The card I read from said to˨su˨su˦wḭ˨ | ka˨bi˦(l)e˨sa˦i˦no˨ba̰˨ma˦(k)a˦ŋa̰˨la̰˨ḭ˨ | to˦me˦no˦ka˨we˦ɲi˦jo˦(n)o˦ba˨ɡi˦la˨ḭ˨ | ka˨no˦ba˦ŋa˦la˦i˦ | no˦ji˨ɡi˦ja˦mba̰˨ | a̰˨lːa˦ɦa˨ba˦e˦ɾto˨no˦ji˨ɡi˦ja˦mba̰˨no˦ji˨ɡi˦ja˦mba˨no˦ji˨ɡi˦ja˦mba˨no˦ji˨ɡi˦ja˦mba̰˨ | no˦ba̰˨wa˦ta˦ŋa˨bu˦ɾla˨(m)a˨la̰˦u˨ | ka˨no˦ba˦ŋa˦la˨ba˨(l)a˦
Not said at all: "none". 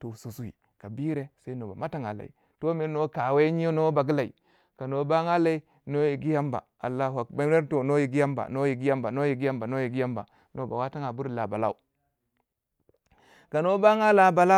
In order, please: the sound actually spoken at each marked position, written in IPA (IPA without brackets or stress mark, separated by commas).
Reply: ɾ, t, n, b, l